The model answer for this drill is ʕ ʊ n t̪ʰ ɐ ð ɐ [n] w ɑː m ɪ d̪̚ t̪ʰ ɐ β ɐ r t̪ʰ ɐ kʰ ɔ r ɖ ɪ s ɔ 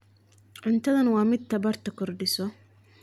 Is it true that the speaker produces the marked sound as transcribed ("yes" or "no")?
yes